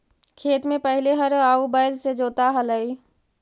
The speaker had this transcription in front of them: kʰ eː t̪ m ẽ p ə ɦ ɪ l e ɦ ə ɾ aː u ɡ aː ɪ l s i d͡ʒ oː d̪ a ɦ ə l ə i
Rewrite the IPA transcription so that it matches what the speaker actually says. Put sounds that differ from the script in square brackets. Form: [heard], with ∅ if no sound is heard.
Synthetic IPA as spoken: kʰ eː t̪ m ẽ p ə ɦ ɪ l e ɦ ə ɾ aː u [b] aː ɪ l s [e] d͡ʒ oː [t̪] a ɦ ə l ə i